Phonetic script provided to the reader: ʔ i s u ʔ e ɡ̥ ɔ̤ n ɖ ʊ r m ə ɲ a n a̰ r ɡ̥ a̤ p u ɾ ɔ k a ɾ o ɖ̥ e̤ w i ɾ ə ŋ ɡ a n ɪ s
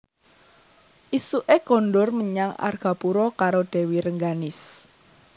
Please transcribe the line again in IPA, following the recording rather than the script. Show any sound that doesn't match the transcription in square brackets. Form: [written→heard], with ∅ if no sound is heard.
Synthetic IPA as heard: ʔ i s u ʔ e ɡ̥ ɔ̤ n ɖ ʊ r m ə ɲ a [n→ŋ] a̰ r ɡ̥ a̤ p u ɾ ɔ k a ɾ o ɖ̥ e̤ w i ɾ ə ŋ ɡ a n ɪ s